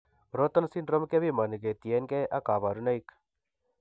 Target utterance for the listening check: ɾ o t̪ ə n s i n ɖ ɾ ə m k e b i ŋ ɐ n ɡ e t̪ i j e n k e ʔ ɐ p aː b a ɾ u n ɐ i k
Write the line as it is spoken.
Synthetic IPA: ɾ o t̪ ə n s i n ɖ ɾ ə m k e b i m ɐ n ɡ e t̪ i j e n k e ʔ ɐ k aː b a ɾ u n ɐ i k